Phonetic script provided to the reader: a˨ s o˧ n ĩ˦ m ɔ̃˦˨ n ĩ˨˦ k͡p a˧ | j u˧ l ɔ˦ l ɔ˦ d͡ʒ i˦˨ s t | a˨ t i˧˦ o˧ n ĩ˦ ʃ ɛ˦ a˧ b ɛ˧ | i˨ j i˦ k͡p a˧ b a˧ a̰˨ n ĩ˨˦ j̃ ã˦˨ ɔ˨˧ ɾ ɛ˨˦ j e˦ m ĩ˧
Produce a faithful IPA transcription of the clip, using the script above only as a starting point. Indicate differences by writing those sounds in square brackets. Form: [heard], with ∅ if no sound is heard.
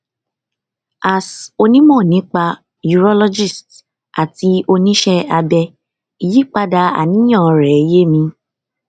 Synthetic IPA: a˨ s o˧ n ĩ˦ m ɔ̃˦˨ n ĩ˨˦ k͡p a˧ | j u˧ [ɾ] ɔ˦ l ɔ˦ d͡ʒ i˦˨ s t | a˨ t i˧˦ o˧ n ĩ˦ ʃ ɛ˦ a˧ b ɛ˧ | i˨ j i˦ k͡p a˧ [d] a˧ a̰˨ n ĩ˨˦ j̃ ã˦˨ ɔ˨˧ ɾ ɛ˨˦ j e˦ m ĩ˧